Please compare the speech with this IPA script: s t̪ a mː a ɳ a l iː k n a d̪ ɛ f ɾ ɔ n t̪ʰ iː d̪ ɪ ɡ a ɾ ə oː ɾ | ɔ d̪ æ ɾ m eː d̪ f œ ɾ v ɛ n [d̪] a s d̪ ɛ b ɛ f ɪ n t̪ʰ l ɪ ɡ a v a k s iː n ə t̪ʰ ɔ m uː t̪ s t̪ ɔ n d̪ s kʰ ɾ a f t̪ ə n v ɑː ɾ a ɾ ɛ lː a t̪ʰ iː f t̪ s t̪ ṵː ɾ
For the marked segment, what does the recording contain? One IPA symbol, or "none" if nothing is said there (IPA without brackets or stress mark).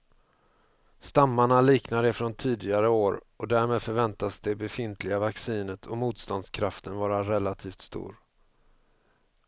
t̪